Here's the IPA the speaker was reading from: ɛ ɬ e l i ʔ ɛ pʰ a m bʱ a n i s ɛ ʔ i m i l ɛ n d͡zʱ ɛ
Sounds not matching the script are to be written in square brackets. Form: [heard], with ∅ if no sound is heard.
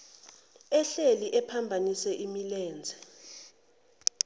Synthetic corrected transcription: ɛ ɬ e l i ʔ ɛ pʰ a m bʱ a n i s ɛ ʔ i m i l [ɛː] n d͡zʱ ɛ